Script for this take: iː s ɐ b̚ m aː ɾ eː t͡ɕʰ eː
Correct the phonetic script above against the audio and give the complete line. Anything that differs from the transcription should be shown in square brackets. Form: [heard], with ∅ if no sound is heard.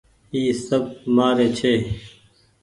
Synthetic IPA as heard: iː s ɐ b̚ m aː ɾ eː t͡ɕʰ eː